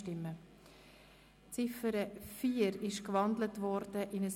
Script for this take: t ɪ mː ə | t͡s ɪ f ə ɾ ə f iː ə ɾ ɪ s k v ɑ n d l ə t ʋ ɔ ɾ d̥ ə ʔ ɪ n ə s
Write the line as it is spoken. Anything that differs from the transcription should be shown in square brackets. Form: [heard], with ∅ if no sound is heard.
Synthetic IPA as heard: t ɪ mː ə | t͡s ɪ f ə ɾ ə f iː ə ɾ ɪ [ʃ] k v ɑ n d l ə t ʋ ɔ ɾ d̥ ə ʔ ɪ n ə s